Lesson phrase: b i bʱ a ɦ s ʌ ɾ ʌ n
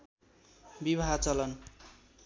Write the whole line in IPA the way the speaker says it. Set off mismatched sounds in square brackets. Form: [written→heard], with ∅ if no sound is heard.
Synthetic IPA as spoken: b i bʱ a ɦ [s→t͡s] ʌ [ɾ→l] ʌ n